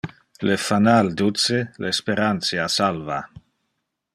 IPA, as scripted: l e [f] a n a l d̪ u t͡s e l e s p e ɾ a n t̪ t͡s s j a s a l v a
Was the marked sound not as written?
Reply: no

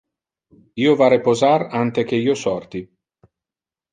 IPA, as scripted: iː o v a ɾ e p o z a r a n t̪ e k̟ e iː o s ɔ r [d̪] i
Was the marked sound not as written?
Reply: yes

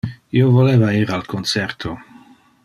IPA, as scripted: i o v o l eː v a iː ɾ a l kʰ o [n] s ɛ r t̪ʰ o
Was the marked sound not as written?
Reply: no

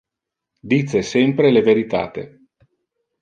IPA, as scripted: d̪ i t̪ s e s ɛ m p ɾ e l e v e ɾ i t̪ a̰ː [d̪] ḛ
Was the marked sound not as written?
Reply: yes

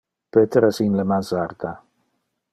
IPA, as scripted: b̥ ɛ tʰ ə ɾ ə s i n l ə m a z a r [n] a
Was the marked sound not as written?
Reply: yes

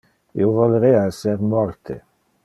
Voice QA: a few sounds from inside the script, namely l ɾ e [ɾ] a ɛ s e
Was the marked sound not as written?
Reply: yes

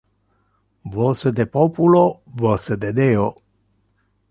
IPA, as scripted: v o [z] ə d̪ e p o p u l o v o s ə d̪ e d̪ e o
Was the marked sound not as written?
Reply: yes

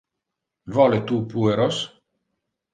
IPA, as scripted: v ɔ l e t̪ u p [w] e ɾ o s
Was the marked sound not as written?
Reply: yes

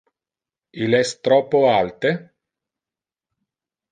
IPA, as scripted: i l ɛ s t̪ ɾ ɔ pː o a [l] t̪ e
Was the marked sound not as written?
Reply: no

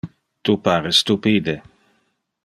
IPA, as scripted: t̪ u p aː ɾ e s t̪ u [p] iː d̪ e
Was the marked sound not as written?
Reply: no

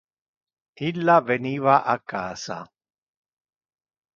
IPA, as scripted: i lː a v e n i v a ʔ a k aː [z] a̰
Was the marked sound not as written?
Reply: yes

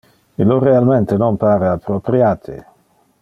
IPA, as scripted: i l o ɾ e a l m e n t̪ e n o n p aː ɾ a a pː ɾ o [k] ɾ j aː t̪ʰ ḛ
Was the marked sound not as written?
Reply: yes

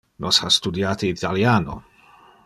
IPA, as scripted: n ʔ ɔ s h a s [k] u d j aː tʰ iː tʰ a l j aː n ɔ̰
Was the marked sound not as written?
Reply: yes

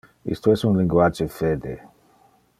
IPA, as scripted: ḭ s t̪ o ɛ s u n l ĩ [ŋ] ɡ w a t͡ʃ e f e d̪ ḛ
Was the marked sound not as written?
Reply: no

